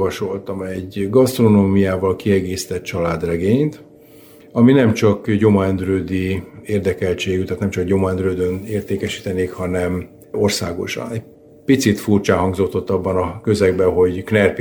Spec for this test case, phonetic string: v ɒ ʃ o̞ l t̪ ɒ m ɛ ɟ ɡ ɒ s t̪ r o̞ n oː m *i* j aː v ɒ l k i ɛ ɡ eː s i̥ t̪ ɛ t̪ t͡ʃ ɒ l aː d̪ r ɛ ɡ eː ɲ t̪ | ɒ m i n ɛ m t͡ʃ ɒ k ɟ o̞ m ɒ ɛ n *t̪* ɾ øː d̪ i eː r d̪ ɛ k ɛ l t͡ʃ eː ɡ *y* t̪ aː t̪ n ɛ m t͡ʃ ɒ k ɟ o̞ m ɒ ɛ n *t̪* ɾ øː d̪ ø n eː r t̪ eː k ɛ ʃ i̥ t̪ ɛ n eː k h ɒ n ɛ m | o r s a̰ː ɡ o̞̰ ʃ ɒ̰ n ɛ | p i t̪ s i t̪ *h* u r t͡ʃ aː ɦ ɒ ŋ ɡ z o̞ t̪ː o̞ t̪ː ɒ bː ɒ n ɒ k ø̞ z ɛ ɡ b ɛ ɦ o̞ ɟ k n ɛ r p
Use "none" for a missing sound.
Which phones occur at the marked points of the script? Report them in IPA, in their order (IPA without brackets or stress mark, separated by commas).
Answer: i, d̪, y, d̪, f